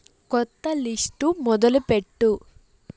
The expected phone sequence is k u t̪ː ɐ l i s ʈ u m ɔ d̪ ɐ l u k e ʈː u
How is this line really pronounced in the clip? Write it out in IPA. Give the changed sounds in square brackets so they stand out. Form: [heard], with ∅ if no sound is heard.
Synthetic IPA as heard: k [ɔ] t̪ː ɐ l i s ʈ u m ɔ d̪ ɐ l u [p] e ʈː u